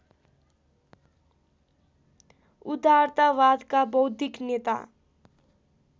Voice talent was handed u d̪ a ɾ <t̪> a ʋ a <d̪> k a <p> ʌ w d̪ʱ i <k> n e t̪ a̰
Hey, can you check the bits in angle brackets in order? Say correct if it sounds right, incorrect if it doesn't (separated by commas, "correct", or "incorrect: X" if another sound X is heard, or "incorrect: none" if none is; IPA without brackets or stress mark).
correct, correct, incorrect: b, correct